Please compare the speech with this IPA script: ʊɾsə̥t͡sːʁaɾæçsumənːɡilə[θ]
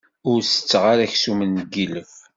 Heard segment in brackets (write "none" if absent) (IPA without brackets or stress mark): f